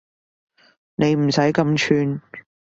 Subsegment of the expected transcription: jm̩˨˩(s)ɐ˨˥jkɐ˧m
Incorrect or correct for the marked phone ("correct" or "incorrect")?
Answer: correct